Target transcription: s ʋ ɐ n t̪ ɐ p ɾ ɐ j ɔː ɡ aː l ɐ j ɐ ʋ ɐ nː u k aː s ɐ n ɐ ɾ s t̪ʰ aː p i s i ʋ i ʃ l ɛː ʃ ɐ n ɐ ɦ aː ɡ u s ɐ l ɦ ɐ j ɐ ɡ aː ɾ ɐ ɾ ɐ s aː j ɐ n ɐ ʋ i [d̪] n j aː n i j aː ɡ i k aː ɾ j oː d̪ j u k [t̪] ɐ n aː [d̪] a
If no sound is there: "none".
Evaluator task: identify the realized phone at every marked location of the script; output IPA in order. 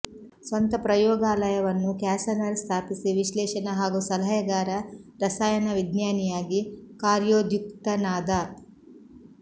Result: d̪, t̪, d̪

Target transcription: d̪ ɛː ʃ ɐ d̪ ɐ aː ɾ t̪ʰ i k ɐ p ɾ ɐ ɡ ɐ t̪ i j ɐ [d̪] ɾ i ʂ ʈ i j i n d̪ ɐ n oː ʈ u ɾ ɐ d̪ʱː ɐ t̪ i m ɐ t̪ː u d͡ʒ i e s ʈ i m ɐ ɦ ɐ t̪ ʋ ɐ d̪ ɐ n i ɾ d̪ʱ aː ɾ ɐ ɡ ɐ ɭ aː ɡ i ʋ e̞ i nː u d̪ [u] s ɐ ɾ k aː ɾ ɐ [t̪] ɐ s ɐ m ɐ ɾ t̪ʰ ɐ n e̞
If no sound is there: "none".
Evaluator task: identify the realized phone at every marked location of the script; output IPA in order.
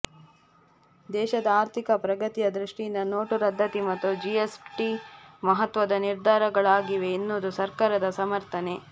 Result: d̪, u, d̪

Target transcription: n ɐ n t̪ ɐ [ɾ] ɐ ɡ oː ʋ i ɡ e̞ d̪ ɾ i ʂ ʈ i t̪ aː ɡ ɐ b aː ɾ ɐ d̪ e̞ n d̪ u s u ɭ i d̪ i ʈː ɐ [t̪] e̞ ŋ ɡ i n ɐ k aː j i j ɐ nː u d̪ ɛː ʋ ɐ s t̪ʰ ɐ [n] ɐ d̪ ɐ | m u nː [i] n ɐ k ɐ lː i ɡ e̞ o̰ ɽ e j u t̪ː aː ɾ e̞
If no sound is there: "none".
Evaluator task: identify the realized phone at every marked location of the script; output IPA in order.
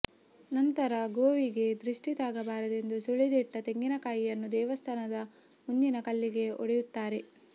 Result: ɾ, t̪, n, i

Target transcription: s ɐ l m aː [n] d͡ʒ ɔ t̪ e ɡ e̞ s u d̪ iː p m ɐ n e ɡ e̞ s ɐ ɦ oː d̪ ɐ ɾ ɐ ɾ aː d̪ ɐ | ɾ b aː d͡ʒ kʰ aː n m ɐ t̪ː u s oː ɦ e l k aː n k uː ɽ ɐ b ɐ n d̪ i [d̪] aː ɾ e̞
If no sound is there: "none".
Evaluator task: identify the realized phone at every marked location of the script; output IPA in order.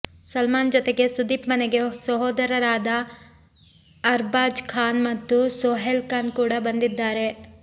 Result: n, d̪ː

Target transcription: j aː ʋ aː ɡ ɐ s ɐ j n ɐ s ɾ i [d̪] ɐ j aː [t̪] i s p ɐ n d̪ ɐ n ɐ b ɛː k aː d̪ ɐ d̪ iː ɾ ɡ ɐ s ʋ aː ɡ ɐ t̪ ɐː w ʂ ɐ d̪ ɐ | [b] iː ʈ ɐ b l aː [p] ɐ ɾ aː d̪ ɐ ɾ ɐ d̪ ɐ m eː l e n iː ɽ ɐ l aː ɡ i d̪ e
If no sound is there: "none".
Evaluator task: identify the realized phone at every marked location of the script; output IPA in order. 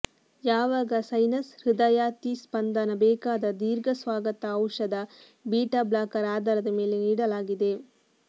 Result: d̪, t̪, b, k

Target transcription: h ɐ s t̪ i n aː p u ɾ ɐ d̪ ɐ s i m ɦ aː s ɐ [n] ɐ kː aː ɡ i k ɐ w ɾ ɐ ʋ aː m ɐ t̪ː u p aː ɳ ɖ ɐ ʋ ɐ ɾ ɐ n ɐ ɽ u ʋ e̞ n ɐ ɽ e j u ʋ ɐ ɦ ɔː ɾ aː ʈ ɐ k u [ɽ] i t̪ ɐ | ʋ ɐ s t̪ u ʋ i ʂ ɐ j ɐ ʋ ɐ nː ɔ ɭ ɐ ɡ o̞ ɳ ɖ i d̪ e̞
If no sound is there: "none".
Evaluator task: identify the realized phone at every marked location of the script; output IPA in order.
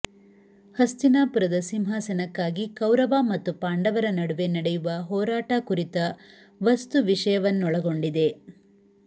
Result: n, ɾ

